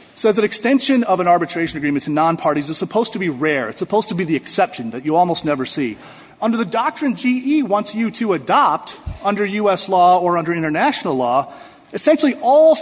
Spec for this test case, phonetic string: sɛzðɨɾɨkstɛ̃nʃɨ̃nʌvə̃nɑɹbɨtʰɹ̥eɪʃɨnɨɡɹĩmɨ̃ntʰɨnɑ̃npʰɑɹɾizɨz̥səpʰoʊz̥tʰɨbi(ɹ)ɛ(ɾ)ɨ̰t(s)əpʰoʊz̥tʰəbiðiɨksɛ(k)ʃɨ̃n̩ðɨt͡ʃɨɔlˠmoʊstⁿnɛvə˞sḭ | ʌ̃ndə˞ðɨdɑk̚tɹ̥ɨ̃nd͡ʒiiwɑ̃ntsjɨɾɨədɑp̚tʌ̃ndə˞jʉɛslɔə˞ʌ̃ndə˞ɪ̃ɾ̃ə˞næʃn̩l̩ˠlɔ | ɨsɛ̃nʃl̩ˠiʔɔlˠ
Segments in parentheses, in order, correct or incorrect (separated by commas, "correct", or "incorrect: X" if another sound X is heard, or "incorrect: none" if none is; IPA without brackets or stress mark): correct, incorrect: ɹ, correct, incorrect: p